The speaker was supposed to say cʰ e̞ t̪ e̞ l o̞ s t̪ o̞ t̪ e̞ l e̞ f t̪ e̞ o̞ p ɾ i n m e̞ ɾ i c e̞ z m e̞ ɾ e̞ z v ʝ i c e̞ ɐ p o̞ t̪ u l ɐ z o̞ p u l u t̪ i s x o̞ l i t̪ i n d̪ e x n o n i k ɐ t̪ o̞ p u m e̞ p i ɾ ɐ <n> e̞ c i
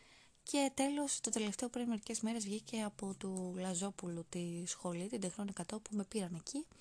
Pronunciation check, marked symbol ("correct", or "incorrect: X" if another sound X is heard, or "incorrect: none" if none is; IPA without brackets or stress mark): correct